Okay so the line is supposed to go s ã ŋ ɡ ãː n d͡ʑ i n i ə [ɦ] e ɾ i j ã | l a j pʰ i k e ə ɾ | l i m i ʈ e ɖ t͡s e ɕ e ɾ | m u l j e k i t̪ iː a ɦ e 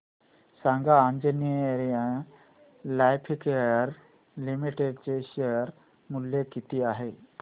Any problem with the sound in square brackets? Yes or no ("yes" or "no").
yes